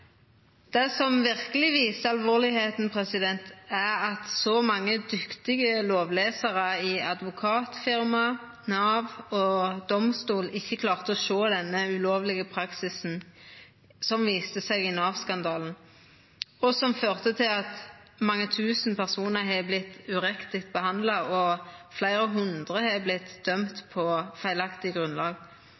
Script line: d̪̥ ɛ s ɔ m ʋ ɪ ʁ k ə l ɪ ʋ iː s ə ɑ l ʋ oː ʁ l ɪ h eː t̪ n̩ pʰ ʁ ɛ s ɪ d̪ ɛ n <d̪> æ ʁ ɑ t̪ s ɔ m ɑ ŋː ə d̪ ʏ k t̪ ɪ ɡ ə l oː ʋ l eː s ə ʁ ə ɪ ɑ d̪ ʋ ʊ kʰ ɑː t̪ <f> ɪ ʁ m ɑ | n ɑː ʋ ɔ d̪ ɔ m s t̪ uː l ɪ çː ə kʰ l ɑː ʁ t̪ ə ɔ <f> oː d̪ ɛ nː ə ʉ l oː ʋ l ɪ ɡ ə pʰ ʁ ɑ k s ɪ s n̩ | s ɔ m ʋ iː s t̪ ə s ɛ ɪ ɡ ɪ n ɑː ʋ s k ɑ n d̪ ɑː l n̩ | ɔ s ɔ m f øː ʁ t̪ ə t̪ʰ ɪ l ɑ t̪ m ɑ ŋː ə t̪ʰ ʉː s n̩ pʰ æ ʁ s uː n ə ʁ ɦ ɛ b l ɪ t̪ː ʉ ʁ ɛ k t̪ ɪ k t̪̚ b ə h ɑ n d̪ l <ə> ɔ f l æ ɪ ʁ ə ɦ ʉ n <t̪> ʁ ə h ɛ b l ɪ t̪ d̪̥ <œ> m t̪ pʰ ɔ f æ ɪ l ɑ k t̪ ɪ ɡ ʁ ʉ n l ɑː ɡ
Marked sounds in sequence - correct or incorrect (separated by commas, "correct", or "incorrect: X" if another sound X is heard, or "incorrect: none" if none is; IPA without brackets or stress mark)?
incorrect: t̪, correct, incorrect: ʃ, incorrect: ɑ, incorrect: d̪, correct